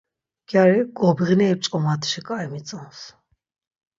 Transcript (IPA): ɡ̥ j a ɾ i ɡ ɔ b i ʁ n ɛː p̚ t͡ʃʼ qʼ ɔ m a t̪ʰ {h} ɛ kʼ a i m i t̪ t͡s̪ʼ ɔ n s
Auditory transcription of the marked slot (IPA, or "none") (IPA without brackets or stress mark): ʃ